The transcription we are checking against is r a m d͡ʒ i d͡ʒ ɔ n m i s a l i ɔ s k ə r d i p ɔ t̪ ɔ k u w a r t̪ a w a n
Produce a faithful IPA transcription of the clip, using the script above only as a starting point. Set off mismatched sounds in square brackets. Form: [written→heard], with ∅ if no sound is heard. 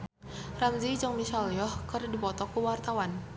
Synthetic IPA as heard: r a m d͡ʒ i d͡ʒ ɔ [n→ŋ] m i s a l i ɔ [s→h] k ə r d i p ɔ t̪ ɔ k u w a r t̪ a w a n